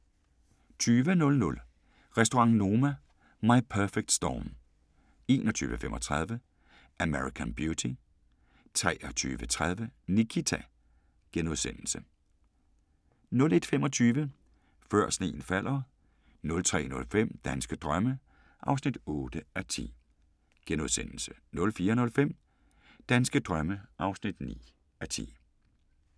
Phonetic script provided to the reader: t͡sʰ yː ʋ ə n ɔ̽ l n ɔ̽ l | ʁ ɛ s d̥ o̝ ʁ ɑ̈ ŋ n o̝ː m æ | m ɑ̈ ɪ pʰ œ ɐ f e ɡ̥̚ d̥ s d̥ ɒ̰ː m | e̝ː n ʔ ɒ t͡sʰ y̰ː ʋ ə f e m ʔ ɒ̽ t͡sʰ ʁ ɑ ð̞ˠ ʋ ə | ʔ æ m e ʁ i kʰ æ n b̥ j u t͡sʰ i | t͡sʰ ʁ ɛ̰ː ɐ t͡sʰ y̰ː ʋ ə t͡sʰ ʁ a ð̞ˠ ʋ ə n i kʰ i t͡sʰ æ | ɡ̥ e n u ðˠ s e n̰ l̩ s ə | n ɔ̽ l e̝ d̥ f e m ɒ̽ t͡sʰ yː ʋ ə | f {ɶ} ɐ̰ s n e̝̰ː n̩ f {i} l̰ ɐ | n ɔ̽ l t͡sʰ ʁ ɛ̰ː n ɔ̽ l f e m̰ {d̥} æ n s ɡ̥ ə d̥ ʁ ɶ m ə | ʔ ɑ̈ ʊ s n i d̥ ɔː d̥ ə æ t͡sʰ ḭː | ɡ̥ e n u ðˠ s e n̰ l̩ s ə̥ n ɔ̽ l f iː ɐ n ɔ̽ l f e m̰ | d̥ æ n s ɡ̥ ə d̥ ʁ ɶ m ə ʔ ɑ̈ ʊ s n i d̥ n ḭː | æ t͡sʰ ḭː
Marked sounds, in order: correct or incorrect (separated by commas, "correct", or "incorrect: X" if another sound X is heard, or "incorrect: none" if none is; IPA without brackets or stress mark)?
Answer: correct, incorrect: æ, correct